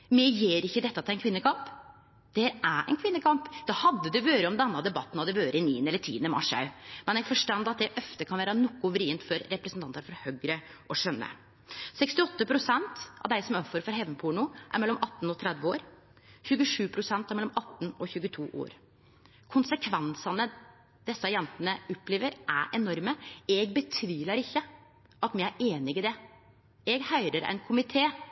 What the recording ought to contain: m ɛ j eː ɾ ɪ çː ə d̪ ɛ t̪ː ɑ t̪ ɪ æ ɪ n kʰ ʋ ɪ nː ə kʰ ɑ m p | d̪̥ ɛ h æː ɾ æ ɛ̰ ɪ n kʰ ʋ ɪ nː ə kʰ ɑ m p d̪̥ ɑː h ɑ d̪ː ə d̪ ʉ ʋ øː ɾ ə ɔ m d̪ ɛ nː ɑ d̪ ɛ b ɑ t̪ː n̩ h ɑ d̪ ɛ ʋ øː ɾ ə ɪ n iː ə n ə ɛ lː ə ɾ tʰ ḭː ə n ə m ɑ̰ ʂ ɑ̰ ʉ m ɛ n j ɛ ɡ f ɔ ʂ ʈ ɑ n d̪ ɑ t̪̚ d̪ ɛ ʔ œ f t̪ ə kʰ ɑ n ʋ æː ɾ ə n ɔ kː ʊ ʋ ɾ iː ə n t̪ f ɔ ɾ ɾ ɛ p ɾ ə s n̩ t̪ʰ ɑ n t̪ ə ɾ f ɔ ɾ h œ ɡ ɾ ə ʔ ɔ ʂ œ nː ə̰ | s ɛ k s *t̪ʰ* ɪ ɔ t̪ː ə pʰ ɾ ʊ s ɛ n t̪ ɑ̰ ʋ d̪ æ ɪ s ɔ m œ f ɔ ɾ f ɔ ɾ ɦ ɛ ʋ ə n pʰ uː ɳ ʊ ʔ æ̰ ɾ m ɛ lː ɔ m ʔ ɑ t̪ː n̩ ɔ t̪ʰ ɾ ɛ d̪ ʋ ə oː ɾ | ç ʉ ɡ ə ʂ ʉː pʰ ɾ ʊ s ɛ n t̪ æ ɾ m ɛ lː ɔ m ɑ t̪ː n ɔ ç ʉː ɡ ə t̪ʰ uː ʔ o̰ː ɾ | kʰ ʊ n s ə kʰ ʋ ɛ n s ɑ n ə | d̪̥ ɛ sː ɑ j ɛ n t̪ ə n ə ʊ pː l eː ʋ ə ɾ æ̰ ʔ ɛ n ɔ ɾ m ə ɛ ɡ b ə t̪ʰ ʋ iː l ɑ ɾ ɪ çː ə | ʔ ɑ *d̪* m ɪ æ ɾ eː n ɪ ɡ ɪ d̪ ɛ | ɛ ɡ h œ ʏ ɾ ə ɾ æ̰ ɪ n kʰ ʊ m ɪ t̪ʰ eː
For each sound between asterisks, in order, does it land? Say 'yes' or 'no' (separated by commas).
no, no